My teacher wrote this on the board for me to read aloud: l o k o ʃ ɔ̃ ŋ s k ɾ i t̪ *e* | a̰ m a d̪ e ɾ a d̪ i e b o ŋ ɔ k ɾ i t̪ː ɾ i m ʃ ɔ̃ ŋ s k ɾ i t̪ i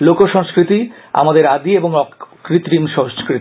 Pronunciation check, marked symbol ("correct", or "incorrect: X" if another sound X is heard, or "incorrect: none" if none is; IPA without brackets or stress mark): incorrect: i